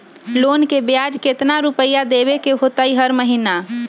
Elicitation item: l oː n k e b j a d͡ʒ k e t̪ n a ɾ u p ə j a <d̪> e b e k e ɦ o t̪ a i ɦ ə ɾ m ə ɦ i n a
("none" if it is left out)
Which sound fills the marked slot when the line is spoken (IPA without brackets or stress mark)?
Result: d̪